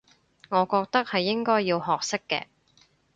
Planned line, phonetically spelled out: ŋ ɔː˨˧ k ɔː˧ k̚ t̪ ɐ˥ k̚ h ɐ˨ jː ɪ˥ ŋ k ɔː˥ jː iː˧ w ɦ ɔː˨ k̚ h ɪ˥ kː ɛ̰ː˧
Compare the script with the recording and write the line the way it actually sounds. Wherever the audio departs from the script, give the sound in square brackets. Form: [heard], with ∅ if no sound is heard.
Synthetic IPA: ŋ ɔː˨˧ k ɔː˧ k̚ t̪ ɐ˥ k̚ h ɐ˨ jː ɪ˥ ŋ k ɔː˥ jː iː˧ w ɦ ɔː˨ k̚ [s] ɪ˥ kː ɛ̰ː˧